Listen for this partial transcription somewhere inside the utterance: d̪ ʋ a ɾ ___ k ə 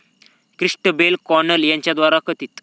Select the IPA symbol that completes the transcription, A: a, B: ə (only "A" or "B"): A